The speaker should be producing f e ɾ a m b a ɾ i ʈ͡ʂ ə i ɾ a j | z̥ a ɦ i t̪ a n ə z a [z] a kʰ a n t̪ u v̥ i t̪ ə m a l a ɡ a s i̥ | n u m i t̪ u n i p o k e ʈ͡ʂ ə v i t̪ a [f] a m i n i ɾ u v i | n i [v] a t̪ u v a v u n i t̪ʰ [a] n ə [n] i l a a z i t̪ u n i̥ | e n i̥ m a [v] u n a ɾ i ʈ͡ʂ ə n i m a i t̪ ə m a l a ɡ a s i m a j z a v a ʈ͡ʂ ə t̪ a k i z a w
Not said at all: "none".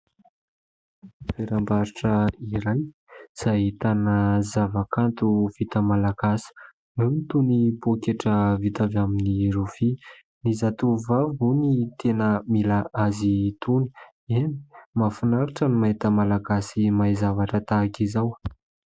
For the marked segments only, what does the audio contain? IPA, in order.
v, v, z, e, m, f

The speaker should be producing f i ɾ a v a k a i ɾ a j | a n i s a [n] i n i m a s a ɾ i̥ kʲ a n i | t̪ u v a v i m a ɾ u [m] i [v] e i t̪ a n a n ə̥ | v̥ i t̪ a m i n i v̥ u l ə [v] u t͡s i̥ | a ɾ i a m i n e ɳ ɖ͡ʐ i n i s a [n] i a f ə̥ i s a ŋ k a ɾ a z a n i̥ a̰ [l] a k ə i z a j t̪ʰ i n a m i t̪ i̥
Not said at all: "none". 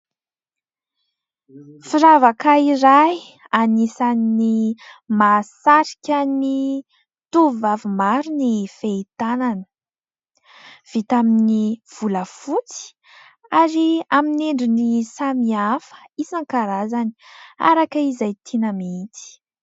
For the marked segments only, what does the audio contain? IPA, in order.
n, n, f, f, m, ɾ

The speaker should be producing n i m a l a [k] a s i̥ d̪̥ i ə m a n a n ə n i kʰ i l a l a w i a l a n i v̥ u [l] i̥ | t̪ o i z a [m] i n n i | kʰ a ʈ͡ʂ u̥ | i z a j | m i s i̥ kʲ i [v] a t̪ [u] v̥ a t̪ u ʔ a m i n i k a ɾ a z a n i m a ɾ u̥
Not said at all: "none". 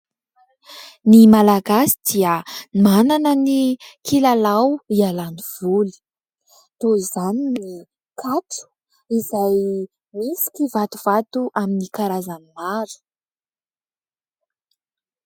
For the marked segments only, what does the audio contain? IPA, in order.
ɡ, l, n, v, u

